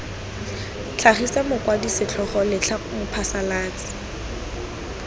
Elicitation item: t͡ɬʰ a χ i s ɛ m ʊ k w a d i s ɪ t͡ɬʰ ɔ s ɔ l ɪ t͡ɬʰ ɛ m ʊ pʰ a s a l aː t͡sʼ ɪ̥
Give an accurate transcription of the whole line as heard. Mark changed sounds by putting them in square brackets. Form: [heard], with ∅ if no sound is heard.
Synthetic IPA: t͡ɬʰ a χ i s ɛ m ʊ k w a d i s ɪ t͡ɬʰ ɔ [χ] ɔ l ɪ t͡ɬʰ [a] m ʊ pʰ a s a l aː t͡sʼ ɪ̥